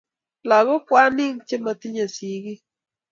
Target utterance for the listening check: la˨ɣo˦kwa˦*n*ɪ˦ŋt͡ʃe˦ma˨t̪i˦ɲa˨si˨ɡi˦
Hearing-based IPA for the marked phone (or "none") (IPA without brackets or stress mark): n